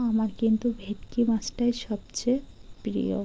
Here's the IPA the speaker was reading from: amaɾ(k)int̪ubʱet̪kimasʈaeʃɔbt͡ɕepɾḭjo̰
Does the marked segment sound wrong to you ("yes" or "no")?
no